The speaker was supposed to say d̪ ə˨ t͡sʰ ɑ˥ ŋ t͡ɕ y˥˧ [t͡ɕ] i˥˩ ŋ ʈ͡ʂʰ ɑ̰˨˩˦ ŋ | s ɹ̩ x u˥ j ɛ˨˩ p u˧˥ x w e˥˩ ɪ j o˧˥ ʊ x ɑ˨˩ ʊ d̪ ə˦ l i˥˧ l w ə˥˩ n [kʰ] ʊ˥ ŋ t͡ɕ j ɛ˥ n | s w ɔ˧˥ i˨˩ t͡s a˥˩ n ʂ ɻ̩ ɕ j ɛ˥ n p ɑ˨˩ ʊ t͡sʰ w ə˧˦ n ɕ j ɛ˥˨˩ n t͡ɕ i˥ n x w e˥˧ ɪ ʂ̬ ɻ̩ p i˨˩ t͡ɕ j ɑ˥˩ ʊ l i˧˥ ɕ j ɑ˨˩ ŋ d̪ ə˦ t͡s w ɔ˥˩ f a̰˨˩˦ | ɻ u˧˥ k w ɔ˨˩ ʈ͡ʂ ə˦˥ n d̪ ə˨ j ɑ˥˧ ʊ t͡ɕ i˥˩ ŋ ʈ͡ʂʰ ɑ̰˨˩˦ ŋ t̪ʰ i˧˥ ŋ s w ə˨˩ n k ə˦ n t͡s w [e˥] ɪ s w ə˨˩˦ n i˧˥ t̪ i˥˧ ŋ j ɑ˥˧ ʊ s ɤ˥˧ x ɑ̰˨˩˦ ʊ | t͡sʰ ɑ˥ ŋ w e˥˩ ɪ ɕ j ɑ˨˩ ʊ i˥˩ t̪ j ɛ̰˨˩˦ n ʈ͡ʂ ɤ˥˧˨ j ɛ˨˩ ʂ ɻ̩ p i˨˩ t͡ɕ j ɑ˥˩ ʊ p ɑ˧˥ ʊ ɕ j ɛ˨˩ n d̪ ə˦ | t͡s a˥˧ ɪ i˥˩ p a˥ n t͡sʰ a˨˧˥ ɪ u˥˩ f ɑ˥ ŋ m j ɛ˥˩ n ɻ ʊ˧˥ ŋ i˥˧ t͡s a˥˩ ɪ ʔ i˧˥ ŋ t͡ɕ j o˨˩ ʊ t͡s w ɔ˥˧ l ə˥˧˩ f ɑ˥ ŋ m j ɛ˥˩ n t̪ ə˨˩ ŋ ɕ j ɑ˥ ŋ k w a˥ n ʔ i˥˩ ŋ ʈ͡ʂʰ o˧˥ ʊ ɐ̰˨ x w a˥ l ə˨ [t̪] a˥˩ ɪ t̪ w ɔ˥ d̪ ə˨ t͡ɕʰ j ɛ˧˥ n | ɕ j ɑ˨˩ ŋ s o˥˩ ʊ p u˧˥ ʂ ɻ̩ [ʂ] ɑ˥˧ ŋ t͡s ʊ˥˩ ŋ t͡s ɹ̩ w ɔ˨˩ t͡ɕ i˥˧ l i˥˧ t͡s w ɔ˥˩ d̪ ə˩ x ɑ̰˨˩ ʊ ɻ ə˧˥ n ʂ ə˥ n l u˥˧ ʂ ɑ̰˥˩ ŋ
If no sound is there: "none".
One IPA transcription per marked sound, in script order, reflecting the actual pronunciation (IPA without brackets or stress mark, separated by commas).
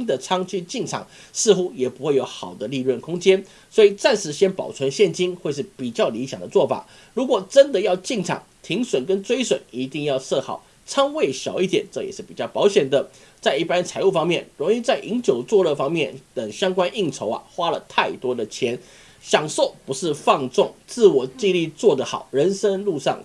t͡ɕ, kʰ, e˥, t̪ʰ, f